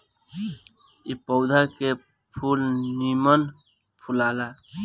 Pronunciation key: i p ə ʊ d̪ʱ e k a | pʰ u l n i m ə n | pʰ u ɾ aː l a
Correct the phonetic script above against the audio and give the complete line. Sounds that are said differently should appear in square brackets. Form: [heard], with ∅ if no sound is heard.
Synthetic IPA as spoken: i p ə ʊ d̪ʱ [a] k [e] | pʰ u l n i m ə n | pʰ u [l] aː l a